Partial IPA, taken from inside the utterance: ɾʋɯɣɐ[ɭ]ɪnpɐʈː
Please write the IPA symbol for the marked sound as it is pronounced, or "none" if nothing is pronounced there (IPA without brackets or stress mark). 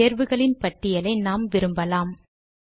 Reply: ɭ